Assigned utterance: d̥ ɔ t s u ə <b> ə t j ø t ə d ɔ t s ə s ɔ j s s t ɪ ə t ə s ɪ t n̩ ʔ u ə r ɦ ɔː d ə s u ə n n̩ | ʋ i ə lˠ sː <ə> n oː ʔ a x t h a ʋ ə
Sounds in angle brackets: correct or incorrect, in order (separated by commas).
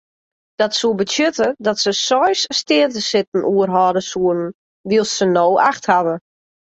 correct, correct